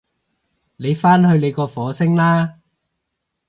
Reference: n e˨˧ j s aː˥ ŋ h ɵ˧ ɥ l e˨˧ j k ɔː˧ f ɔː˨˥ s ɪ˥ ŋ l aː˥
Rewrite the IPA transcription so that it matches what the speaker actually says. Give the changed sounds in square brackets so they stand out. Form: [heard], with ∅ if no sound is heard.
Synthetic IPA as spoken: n e˨˧ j [f] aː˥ [n] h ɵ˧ ɥ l e˨˧ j k ɔː˧ f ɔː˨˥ s ɪ˥ ŋ l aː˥